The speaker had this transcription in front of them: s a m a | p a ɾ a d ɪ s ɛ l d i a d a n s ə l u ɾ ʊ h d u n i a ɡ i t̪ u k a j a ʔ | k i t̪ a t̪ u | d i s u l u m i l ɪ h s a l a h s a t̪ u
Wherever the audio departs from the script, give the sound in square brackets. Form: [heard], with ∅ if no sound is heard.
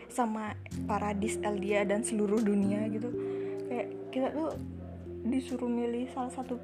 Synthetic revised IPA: s a m a | p a ɾ a d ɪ s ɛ l d i a d a n s ə l u ɾ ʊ h d u n i a ɡ i t̪ u k a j a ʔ | k i t̪ a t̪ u | d i s u [ɾ] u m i l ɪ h s a l a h s a t̪ u